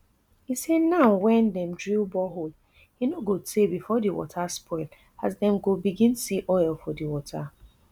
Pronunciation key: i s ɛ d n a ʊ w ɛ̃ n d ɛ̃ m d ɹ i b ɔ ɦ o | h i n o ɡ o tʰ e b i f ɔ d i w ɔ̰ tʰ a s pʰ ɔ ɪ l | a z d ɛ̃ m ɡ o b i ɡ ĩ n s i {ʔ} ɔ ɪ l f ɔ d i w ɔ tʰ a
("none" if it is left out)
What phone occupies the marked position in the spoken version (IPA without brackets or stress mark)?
ʔ